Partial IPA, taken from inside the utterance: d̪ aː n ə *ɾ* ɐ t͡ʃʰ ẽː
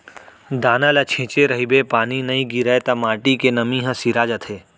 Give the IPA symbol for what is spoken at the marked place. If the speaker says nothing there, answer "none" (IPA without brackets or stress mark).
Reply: l